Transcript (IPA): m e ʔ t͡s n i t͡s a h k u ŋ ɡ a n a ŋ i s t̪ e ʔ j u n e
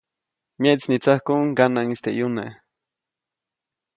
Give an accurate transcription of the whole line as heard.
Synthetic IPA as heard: m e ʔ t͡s n i t͡s a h k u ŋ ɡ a n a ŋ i s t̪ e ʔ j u n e